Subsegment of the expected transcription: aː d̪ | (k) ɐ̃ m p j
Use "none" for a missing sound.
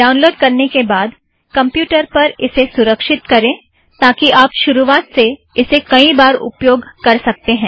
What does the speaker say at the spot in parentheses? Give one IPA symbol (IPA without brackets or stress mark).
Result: k